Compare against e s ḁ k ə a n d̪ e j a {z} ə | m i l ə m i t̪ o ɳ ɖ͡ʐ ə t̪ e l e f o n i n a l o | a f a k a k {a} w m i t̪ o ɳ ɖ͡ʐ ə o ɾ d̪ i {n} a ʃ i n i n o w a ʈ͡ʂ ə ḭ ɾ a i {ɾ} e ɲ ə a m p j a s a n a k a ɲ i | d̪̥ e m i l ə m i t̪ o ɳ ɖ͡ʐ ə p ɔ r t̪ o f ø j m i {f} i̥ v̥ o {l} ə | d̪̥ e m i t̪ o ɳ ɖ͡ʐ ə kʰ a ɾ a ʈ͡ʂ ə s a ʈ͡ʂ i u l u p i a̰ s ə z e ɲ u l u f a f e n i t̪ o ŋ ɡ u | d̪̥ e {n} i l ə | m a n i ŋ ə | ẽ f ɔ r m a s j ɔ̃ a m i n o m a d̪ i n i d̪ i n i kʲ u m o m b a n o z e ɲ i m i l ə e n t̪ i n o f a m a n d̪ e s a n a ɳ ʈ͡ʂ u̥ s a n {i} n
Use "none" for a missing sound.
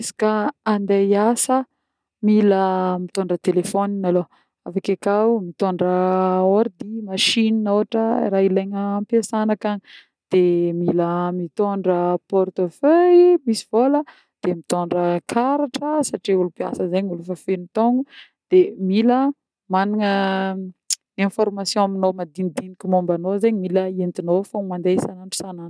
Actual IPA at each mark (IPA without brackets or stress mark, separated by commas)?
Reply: s, a, m, l, s, l, m, a